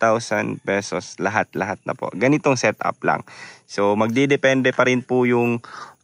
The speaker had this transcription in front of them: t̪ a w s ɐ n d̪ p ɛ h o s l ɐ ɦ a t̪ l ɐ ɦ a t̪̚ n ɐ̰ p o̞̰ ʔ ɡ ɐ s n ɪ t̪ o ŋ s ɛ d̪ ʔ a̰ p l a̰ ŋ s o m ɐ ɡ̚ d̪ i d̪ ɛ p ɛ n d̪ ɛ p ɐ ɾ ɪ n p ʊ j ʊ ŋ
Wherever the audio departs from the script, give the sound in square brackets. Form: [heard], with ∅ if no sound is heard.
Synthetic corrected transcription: t̪ a w s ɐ n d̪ p ɛ [s] o s l ɐ ɦ a t̪ l ɐ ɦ a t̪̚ n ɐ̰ p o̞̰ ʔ ɡ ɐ [∅] n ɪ t̪ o ŋ s ɛ [t̪] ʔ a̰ p l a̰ ŋ s o m ɐ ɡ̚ d̪ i d̪ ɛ p ɛ n d̪ ɛ p ɐ ɾ ɪ n p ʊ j ʊ ŋ